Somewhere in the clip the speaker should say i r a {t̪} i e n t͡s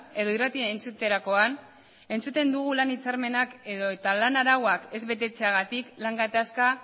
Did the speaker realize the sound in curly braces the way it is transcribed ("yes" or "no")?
yes